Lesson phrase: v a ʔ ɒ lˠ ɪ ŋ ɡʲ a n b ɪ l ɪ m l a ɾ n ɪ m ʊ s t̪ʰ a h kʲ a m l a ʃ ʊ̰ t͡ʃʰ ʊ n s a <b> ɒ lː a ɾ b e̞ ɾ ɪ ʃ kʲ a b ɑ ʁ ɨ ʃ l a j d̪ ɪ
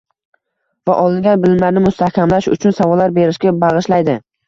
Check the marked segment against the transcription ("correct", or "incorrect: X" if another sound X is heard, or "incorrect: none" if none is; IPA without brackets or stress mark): incorrect: v